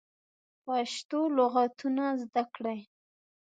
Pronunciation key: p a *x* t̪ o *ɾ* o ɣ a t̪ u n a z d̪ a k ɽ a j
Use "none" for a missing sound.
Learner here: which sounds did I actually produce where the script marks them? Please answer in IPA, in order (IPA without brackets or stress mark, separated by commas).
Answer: ʃ, l